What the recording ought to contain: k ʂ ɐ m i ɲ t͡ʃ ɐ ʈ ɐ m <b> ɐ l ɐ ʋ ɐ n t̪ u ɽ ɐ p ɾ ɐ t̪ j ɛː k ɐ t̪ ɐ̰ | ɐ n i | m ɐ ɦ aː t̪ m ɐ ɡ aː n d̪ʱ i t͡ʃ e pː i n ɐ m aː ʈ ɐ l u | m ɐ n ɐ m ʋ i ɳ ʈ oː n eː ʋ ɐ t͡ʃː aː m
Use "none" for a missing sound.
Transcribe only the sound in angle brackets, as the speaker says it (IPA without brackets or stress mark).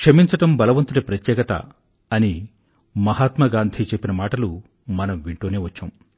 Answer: b